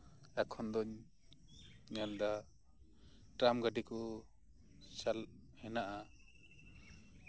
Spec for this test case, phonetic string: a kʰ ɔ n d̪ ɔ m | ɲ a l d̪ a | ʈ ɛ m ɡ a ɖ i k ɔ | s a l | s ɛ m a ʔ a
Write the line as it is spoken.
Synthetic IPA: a kʰ ɔ n d̪ ɔ ɲ | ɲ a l d̪ a | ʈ a m ɡ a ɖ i k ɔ | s a l | h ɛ n a ʔ a